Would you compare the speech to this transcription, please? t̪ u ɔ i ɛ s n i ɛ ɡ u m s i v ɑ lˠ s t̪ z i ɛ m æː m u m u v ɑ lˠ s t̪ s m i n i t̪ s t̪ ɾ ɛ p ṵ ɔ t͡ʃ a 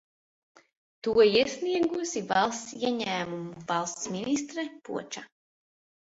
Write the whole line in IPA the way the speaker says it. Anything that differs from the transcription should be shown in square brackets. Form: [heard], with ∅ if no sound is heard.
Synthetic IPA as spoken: t̪ u ɔ i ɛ s n i ɛ ɡ u [∅] s i v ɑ lˠ s t̪ [s] i ɛ [ɲ] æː m u m u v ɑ lˠ s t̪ s m i n i [∅] s t̪ ɾ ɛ p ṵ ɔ t͡ʃ a